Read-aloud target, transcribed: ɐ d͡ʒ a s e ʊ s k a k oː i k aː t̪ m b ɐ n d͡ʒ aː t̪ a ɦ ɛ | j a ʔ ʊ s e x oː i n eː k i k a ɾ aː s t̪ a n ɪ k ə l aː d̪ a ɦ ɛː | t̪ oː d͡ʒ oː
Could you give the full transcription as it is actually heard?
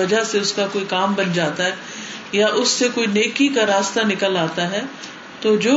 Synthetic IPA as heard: ɐ d͡ʒ a s e ʊ s k a k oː i k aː m b ɐ n d͡ʒ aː t̪ a ɦ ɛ | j a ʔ ʊ sː e k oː i n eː k i k a ɾ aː s t̪ a n ɪ k ə l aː t̪ a ɦ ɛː | t̪ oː d͡ʒ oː